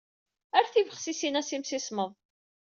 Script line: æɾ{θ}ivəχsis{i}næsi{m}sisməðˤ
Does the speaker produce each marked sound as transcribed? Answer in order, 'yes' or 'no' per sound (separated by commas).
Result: yes, yes, yes